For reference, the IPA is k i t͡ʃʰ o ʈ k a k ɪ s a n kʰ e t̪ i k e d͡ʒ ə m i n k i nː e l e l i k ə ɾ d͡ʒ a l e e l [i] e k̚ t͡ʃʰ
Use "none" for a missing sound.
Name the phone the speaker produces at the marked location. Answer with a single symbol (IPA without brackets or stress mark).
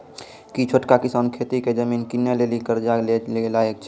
a